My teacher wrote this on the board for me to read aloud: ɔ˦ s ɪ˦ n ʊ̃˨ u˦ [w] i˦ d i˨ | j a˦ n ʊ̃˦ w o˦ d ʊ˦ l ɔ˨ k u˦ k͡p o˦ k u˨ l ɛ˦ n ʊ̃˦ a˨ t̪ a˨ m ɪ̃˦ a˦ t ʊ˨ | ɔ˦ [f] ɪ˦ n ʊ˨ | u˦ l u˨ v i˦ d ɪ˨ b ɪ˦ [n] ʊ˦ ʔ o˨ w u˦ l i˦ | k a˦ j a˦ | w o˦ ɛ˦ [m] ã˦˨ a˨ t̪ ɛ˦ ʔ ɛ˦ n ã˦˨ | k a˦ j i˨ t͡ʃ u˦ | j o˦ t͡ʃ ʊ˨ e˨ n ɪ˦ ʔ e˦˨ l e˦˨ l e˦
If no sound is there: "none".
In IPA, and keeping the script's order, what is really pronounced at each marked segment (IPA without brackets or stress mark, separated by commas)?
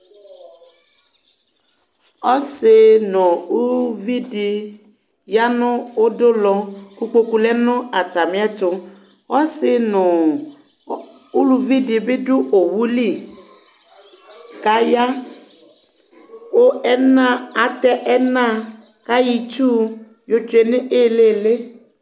v, s, d, n